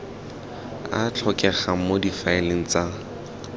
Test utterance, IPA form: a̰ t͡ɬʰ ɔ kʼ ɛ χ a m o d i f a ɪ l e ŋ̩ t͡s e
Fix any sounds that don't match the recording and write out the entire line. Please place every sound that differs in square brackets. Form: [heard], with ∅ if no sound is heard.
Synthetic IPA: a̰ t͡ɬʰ ɔ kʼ ɛ χ a m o d i f a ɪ l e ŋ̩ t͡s [a]